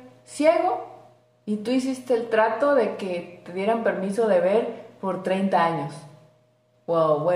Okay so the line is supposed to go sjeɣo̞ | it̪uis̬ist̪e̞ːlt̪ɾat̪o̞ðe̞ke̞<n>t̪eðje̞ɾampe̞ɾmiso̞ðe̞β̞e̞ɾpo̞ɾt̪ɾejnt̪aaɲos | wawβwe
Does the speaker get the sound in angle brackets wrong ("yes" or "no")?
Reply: yes